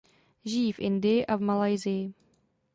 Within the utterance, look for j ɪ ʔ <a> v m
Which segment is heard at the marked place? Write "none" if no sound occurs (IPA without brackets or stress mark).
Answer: a